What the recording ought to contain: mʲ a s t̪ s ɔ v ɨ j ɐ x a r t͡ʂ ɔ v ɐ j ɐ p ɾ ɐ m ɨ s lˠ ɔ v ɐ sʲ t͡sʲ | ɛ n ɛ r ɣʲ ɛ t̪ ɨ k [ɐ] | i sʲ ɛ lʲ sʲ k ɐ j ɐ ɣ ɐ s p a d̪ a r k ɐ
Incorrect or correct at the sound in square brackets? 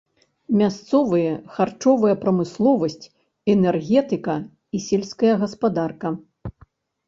correct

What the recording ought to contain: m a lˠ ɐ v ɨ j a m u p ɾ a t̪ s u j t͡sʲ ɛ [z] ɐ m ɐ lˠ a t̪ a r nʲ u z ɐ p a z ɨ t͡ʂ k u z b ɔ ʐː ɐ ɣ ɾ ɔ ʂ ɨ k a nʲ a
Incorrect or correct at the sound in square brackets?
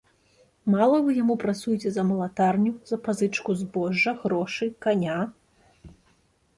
correct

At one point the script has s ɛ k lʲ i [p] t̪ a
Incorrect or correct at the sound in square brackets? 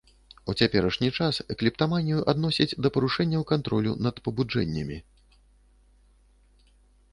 correct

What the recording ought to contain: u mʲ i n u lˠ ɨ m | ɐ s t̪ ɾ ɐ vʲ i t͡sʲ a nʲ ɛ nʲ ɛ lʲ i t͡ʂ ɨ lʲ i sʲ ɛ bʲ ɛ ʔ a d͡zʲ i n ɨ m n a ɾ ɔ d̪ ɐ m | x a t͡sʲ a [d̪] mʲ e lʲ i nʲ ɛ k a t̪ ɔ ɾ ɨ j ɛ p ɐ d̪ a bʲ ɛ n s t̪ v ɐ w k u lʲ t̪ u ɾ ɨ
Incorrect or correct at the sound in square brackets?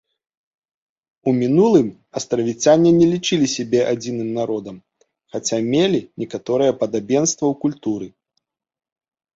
incorrect: none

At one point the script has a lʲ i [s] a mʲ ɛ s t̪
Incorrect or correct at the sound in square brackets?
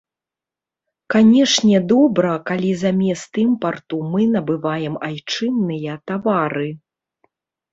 incorrect: z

